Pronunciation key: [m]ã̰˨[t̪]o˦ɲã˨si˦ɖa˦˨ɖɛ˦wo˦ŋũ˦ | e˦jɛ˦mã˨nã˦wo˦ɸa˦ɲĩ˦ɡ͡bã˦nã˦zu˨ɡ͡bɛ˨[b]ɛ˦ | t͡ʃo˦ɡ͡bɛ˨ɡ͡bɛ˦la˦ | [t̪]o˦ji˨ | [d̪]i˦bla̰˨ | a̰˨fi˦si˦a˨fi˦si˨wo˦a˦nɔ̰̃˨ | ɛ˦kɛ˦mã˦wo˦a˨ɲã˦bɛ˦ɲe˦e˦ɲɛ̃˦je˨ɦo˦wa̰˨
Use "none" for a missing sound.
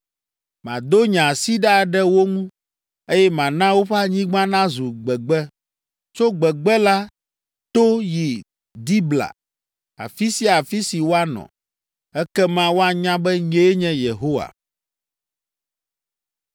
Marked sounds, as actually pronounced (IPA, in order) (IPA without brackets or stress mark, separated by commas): m, d̪, ɡ͡b, t̪, d̪